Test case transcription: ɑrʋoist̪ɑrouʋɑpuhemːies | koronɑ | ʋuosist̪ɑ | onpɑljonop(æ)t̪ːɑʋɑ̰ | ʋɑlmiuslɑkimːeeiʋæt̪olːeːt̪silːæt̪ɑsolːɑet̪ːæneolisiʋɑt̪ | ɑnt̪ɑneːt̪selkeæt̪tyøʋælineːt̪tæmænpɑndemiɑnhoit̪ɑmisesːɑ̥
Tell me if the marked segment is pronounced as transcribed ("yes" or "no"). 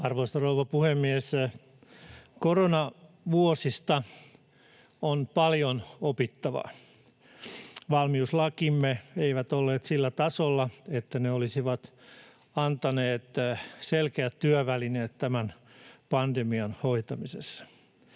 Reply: no